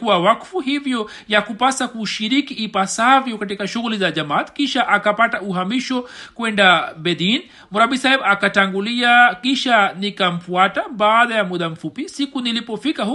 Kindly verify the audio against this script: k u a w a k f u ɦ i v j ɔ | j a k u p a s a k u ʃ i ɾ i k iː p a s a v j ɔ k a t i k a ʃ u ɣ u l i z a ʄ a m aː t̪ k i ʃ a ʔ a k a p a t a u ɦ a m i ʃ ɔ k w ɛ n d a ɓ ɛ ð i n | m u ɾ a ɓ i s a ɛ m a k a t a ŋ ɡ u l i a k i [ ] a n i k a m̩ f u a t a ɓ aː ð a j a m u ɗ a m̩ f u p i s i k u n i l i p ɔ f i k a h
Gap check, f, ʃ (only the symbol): ʃ